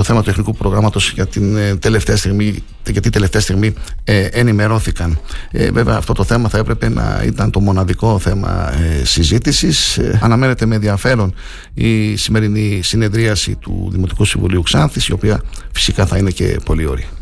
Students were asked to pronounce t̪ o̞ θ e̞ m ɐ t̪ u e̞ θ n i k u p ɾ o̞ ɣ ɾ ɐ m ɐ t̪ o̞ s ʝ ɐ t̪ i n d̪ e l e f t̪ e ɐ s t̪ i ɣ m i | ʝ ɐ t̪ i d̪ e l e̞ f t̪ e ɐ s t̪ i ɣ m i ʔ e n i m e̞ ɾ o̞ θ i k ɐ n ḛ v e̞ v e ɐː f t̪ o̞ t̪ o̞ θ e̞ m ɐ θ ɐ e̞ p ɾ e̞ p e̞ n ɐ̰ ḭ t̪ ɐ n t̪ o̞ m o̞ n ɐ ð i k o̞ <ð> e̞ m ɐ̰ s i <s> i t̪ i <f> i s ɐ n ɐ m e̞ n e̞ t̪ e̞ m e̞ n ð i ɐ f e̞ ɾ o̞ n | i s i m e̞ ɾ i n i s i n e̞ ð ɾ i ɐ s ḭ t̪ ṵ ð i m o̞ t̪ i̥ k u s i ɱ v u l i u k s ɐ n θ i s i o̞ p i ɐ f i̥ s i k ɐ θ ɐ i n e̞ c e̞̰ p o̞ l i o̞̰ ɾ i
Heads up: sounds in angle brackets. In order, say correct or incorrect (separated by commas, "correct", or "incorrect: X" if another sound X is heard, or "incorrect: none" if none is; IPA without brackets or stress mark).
incorrect: θ, incorrect: z, incorrect: s